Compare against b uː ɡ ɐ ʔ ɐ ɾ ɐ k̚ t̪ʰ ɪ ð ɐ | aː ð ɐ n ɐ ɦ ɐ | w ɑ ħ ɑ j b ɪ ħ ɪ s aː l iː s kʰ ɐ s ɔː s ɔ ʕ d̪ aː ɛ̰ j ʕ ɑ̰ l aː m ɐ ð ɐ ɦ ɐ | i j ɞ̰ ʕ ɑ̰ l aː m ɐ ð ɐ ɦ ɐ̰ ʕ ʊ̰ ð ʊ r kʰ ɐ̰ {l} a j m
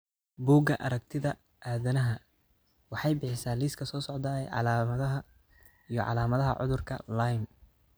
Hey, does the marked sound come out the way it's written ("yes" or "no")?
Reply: yes